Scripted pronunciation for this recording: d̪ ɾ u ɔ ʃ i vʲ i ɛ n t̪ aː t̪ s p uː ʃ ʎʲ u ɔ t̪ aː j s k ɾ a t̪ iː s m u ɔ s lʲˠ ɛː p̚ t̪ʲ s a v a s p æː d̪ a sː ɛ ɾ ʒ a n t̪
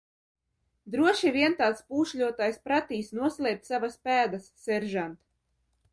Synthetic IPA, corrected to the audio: d̪ ɾ u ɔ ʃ i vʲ i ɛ n t̪ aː t̪ s p uː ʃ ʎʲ u ɔ t̪ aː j s p ɾ a t̪ iː s n u ɔ s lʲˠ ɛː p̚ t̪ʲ s a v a s p æː d̪ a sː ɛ ɾ ʒ a n t̪